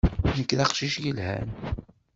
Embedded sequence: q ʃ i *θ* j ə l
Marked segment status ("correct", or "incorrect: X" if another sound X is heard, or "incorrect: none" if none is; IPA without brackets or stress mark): incorrect: ʃ